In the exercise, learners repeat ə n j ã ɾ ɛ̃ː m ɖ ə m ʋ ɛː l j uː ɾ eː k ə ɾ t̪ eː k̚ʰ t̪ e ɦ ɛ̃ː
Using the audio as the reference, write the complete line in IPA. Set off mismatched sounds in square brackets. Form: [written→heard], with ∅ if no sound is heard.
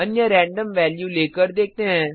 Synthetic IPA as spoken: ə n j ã ɾ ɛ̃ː [m→ɳ] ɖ ə m ʋ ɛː l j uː [ɾ→l] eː k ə ɾ [t̪→d̪] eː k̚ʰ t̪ e ɦ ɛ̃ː